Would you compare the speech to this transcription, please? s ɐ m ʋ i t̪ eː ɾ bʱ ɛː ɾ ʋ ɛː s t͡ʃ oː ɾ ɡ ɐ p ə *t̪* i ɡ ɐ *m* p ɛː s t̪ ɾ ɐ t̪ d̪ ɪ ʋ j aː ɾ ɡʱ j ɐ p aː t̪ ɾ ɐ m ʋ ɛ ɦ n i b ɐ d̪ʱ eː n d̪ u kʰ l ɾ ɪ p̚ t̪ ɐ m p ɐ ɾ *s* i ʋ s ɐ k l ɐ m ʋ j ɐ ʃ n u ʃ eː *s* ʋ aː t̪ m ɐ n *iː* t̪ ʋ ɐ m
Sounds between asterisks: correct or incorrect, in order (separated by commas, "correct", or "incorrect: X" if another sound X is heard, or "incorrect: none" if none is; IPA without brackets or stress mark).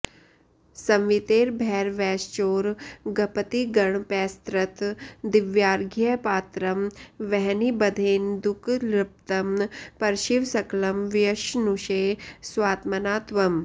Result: correct, incorrect: ɳ, incorrect: ʃ, correct, incorrect: aː